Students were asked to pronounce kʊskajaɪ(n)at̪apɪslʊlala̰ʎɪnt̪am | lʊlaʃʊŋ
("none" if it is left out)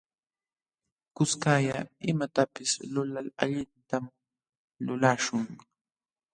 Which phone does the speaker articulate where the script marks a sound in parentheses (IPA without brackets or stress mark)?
m